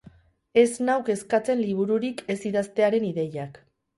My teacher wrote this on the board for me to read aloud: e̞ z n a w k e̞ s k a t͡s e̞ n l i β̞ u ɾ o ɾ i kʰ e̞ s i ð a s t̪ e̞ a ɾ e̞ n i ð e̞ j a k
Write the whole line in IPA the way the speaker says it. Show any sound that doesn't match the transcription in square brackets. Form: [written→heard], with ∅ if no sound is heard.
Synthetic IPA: e̞ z n a w k e̞ s k a t͡s e̞ n l i β̞ u ɾ [o→u] ɾ i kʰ e̞ s i ð a s t̪ e̞ a ɾ e̞ n i ð e̞ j a k